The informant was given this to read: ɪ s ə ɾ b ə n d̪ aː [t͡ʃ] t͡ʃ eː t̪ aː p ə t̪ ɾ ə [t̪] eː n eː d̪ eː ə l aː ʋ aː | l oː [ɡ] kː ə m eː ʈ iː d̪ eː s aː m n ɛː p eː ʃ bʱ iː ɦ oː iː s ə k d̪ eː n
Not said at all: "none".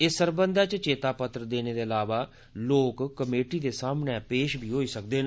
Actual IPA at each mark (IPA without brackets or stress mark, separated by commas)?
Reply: t͡ʃ, d̪, k